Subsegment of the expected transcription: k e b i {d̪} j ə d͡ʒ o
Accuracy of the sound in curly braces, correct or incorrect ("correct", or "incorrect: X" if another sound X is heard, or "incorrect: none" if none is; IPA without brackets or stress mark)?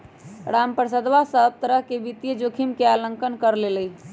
incorrect: t̪